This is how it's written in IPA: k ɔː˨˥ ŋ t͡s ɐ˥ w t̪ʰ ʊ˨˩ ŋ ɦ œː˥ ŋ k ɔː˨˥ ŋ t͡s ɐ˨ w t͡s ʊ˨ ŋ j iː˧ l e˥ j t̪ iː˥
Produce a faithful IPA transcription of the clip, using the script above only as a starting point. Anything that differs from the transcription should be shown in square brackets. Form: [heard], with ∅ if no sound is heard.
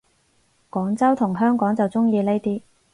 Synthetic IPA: k ɔː˨˥ ŋ t͡s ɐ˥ w t̪ʰ ʊ˨˩ ŋ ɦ œː˥ ŋ k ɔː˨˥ ŋ t͡s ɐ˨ w t͡s [ʊ˥] ŋ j iː˧ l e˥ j t̪ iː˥